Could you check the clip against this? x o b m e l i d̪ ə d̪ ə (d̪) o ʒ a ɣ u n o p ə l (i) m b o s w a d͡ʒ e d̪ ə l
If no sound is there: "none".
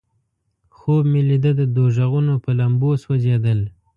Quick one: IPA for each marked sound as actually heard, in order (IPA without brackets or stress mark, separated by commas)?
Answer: d̪, a